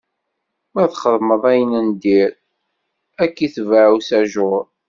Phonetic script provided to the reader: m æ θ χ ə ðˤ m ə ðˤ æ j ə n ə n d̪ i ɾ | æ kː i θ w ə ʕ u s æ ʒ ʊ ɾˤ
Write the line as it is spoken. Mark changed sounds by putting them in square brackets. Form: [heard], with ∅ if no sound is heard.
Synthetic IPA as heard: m æ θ χ ə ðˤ m ə ðˤ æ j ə n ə n d̪ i ɾ | æ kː i θ [v] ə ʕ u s æ ʒ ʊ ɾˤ